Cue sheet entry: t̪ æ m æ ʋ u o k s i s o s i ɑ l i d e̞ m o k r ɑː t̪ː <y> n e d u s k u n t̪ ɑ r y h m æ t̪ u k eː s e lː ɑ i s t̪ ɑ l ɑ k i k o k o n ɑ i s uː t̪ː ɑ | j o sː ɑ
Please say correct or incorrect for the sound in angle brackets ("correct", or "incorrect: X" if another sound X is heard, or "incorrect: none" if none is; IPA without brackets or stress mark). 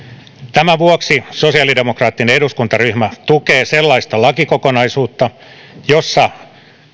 incorrect: i